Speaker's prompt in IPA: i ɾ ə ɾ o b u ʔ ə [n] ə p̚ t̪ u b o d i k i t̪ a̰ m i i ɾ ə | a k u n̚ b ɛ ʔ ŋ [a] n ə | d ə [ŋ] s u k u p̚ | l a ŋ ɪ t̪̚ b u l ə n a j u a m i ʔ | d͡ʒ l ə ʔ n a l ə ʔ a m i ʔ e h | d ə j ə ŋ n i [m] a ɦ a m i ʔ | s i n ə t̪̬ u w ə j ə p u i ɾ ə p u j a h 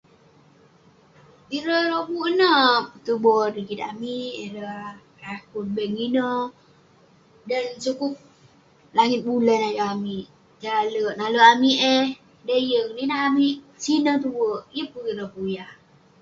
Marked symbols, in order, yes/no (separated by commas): yes, no, no, no